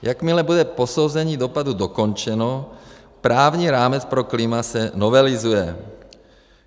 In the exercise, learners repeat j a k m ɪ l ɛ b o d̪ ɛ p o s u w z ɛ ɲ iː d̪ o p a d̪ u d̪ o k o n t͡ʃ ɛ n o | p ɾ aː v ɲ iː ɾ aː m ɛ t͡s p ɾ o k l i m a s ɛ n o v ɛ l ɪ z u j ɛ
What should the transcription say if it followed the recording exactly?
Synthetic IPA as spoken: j a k m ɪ l ɛ b u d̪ ɛ p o s o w z ɛ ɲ iː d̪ o p a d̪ u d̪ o k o n t͡ʃ ɛ n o | p ɾ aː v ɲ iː ɾ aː m ɛ t͡s p ɾ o k l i m a s ɛ n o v ɛ l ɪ z u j ɛ